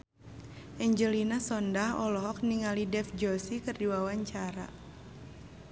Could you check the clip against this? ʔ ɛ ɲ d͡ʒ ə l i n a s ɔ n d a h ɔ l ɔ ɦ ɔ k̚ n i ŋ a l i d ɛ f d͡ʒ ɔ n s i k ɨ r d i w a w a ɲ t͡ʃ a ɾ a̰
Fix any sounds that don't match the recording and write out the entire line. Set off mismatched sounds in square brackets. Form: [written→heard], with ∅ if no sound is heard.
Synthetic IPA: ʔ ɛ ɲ d͡ʒ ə l i n a s ɔ n d a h ɔ l ɔ ɦ ɔ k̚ n i ŋ a l i d ɛ f d͡ʒ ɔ [n→∅] s i k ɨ r d i w a w a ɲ t͡ʃ a ɾ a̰

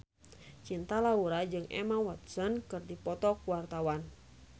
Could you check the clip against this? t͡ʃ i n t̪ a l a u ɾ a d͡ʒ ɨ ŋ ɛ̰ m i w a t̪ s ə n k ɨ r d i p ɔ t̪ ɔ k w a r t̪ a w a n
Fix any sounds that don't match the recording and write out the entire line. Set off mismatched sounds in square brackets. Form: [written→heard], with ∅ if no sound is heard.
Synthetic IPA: t͡ʃ i n t̪ a l a u ɾ a d͡ʒ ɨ ŋ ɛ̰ m [i→a] w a t̪ s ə n k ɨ r d i p ɔ t̪ ɔ k w a r t̪ a w a n

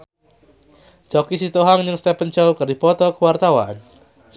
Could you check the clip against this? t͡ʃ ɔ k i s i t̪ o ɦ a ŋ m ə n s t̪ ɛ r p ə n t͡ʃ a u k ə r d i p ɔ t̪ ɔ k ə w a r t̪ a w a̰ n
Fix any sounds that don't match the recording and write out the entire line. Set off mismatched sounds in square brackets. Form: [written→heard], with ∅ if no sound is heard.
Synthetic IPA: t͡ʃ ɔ k i s i t̪ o ɦ a ŋ [m→ɲ] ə [n→ŋ] s t̪ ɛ [r→∅] p ə n t͡ʃ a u k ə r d i p ɔ t̪ ɔ k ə w a r t̪ a w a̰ n

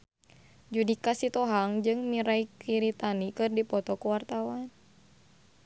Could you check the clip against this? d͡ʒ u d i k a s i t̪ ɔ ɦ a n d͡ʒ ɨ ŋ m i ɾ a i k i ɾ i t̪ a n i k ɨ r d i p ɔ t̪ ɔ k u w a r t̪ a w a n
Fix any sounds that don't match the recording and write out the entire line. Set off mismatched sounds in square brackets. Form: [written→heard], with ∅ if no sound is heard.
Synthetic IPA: d͡ʒ u d i k a s i t̪ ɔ ɦ a [n→ŋ] d͡ʒ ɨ ŋ m i ɾ a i k i ɾ i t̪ a n i k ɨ r d i p ɔ t̪ ɔ k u w a r t̪ a w a n

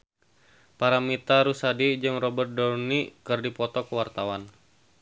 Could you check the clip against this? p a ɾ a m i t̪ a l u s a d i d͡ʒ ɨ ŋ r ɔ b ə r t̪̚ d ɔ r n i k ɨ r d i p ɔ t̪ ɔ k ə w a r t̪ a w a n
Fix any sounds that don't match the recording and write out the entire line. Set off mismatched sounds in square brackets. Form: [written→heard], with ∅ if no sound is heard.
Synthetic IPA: p a ɾ a m i t̪ a [l→ɾ] u s a d i d͡ʒ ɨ ŋ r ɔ b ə r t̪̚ d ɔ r n i k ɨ r d i p ɔ t̪ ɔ k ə w a r t̪ a w a n

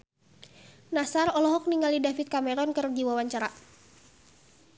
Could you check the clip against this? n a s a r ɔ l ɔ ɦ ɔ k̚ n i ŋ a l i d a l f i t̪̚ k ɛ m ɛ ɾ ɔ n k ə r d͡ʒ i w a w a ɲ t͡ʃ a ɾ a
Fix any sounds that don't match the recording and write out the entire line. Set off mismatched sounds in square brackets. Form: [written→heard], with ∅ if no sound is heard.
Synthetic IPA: n a s a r ɔ l ɔ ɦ ɔ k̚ n i ŋ a l i d a [l→∅] f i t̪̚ k [ɛ→a] m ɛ ɾ ɔ n k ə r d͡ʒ i w a w a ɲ t͡ʃ a ɾ a

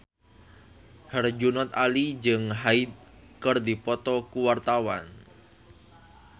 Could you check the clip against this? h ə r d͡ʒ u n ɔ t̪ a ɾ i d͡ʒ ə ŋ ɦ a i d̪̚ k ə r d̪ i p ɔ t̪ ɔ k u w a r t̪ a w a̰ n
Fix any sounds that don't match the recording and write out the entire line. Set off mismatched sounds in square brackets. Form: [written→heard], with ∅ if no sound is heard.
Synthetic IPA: h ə r d͡ʒ u n ɔ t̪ a [ɾ→l] i d͡ʒ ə ŋ ɦ a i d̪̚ k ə r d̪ i p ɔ t̪ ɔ k u w a r t̪ a w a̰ n

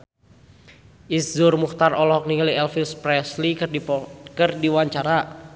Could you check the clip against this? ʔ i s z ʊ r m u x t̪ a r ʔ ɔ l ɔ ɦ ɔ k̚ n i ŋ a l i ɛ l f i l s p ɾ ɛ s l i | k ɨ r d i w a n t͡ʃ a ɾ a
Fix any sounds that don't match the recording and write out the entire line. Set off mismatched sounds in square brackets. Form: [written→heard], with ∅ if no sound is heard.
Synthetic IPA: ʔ i s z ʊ r m u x t̪ a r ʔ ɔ l ɔ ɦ ɔ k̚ n i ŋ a l i ɛ l f i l s p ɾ ɛ s l i | k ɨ r d i w a [n→ɲ] t͡ʃ a ɾ a

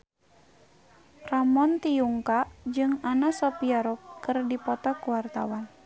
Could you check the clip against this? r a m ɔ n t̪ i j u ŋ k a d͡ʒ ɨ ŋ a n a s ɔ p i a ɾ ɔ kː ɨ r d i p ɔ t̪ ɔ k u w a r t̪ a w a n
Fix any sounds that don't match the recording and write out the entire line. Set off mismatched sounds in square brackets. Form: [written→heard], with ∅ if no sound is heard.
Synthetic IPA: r a m ɔ n t̪ i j u ŋ k a d͡ʒ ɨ ŋ a n a s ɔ p i a ɾ ɔ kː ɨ r d i p ɔ t̪ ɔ k u w a r t̪ a w a n

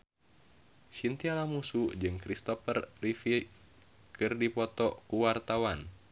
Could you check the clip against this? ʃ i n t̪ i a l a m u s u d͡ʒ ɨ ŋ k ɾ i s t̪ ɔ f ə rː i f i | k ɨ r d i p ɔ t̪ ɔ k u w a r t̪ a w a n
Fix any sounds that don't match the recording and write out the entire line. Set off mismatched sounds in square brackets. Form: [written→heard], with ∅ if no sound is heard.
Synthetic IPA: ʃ i n t̪ i a l a m u s u d͡ʒ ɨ ŋ k ɾ i s t̪ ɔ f ə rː i f i | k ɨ r d i p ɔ t̪ ɔ k u w a r t̪ a w a n

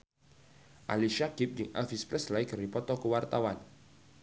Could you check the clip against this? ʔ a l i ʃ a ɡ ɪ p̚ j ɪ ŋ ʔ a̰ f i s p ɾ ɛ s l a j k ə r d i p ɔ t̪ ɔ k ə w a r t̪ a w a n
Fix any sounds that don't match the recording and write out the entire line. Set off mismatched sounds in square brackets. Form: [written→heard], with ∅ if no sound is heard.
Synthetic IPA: ʔ a l i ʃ a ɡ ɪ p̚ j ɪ ŋ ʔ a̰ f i s p ɾ ɛ s l a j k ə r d i p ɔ t̪ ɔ k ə w a r t̪ a w a n

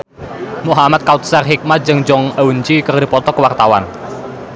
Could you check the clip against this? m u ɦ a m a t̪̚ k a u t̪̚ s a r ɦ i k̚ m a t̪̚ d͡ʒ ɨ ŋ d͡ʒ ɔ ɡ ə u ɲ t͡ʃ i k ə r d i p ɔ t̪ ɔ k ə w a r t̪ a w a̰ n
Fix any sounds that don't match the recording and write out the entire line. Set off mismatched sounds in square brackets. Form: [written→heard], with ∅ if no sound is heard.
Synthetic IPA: m u ɦ a m a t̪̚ k a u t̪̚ s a r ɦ i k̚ m a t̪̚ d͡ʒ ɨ ŋ d͡ʒ ɔ [ɡ→ŋ] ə u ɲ t͡ʃ i k ə r d i p ɔ t̪ ɔ k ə w a r t̪ a w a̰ n

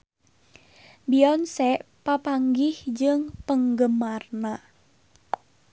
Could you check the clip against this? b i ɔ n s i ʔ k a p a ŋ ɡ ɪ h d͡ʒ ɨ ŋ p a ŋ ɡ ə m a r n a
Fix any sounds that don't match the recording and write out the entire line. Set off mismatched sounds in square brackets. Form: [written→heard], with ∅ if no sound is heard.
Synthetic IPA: b i ɔ n s [i→ɛ] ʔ [k→p] a p a ŋ ɡ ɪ h d͡ʒ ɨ ŋ p [a→ə] ŋ ɡ ə m a r n a

